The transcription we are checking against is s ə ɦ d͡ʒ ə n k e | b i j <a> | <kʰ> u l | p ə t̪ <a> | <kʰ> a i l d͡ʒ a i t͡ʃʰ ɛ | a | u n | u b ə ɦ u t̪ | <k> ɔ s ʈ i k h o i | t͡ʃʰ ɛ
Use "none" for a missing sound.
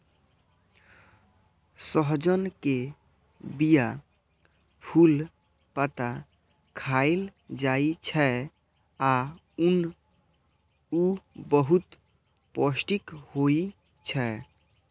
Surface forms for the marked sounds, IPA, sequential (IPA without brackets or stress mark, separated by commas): a, pʰ, a, kʰ, p